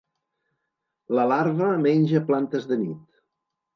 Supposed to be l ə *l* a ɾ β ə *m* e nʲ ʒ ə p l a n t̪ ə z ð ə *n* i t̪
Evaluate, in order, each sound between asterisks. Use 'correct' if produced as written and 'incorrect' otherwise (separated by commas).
correct, correct, correct